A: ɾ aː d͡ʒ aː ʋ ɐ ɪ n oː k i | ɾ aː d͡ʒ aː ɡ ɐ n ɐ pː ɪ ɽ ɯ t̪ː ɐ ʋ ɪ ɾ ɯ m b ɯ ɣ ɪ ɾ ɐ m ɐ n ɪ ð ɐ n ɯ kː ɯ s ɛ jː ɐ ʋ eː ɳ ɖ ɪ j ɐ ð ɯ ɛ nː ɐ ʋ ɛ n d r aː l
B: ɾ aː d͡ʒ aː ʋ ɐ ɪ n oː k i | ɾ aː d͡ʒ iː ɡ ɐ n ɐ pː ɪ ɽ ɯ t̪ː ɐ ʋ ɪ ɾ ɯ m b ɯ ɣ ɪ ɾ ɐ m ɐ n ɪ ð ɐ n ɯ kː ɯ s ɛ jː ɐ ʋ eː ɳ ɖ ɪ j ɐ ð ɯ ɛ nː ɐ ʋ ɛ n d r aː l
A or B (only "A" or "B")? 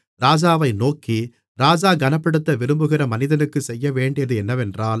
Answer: A